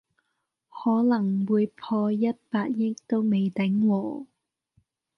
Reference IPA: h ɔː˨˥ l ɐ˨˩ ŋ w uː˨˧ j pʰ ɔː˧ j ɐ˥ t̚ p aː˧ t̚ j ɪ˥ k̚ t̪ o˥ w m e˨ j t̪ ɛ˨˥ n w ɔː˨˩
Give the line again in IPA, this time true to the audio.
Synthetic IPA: h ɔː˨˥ l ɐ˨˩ ŋ w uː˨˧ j pʰ ɔː˧ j ɐ˥ t̚ p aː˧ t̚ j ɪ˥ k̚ t̪ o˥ w m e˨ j t̪ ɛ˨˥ ŋ w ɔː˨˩